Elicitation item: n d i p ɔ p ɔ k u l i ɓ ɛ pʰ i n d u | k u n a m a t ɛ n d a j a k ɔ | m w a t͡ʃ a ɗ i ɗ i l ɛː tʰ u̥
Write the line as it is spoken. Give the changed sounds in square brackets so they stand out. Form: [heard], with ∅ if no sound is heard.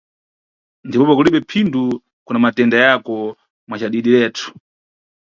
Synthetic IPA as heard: n d i p ɔ p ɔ k u l i ɓ ɛ pʰ i n d u | k u n a m a t ɛ n d a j a k ɔ | m w a t͡ʃ a ɗ i ɗ i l ɛː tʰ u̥